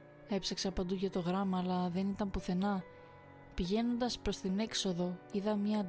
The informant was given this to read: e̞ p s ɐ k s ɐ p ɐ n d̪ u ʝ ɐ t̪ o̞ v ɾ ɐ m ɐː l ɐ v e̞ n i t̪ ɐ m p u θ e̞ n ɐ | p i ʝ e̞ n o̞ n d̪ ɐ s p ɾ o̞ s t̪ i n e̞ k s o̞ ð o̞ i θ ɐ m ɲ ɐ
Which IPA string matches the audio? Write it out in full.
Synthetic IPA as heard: e̞ p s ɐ k s ɐ p ɐ n d̪ u ʝ ɐ t̪ o̞ ɣ ɾ ɐ m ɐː l ɐ ð e̞ n i t̪ ɐ m p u θ e̞ n ɐ | p i ʝ e̞ n o̞ n d̪ ɐ s p ɾ o̞ s t̪ i n e̞ k s o̞ ð o̞ i ð ɐ m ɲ ɐ